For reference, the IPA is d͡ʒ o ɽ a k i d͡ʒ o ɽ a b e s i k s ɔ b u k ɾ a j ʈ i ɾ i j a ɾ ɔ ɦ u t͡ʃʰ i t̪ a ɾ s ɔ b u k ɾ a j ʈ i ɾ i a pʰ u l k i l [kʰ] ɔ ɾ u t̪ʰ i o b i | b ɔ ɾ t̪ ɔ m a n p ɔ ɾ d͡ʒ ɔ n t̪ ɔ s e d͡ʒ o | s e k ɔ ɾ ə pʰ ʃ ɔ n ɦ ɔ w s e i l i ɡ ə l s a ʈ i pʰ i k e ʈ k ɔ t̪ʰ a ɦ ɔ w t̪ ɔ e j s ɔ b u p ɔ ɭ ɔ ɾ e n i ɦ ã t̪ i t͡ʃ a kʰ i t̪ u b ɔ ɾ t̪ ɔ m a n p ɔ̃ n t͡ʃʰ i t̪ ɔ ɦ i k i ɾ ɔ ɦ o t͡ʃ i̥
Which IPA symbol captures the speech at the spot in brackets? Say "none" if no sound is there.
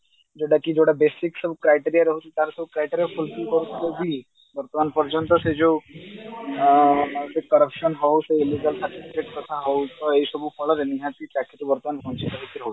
k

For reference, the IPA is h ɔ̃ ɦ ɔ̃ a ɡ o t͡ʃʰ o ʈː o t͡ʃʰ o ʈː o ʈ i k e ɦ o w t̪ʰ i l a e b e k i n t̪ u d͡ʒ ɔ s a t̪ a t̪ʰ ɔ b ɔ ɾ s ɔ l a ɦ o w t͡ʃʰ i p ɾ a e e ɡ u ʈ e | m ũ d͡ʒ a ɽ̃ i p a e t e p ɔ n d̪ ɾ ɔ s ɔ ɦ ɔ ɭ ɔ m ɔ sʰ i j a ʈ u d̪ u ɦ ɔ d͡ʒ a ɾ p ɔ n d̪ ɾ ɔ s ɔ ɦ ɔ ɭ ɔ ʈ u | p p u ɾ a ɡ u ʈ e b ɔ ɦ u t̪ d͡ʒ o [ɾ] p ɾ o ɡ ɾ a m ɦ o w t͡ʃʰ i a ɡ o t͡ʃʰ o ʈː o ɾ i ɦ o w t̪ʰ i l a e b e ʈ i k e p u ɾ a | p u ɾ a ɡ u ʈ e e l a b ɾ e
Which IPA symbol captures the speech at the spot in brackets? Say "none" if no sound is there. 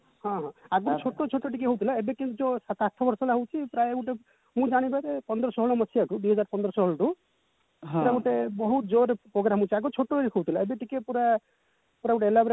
ɾ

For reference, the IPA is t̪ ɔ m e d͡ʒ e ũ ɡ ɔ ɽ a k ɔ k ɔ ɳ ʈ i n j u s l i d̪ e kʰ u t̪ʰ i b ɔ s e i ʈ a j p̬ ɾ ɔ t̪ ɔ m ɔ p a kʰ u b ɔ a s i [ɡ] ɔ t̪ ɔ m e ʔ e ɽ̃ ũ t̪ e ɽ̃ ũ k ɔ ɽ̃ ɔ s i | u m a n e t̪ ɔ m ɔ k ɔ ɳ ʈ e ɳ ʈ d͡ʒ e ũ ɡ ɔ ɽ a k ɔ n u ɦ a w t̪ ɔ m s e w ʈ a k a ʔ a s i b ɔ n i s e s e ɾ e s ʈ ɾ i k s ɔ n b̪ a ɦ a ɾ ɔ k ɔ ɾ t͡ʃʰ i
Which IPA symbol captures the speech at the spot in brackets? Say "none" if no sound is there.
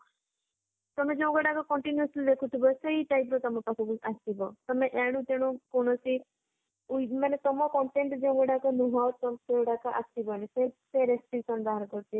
b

